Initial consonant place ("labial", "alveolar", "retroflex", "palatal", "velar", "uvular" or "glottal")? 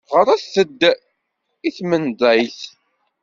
uvular